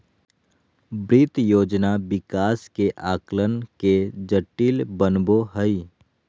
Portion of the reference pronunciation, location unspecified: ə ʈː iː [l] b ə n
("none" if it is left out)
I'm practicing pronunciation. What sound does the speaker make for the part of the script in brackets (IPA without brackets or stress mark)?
l